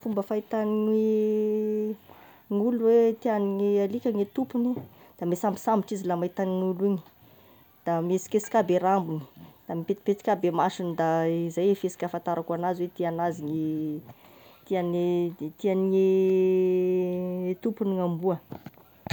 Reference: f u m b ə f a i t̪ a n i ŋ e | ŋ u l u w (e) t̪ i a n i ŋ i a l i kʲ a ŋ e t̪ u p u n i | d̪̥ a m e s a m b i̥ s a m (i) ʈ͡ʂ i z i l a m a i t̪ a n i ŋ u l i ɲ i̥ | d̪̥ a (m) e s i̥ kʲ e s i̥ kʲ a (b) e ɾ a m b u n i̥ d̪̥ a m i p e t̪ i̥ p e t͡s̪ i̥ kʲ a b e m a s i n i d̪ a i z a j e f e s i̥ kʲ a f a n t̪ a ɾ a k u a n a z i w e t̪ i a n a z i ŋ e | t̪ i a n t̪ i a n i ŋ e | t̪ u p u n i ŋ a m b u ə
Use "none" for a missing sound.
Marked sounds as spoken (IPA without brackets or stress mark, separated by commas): e, i, m, b